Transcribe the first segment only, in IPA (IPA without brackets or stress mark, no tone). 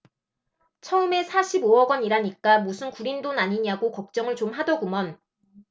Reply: t͡ɕʰ